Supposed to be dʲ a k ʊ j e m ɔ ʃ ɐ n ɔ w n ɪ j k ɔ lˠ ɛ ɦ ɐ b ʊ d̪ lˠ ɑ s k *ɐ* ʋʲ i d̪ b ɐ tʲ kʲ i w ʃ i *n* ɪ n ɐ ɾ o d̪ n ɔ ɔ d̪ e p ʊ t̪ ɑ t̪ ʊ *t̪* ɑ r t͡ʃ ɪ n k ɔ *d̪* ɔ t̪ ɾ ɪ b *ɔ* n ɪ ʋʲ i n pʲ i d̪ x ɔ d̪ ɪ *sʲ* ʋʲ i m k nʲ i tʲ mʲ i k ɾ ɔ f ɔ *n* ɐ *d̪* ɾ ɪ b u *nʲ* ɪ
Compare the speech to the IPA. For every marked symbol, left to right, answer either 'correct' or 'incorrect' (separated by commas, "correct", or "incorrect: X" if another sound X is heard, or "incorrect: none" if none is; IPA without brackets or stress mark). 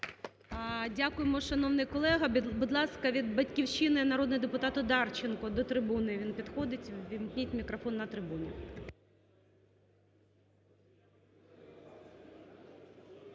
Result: correct, correct, incorrect: d̪, correct, incorrect: u, incorrect: tʲ, incorrect: nː, incorrect: t̪, correct